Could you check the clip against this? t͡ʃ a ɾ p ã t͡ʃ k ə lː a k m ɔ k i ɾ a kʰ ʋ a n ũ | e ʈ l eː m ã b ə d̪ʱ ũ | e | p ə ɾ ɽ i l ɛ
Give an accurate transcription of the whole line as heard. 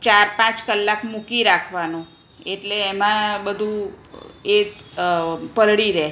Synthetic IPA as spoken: t͡ʃ a ɾ p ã t͡ʃ k ə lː a k m u k i ɾ a kʰ ʋ a n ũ | e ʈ l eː m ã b ə d̪ʱ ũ | e | p ə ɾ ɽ i ɾ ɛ